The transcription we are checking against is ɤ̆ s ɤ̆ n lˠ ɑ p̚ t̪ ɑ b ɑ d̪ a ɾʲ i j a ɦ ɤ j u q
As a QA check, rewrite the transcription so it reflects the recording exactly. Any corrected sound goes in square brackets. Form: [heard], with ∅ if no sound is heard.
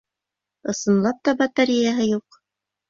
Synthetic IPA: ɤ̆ s ɤ̆ n lˠ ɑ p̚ t̪ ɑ b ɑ [t̪] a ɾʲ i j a ɦ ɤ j u q